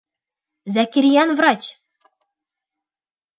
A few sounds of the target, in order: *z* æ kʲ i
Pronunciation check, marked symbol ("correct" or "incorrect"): correct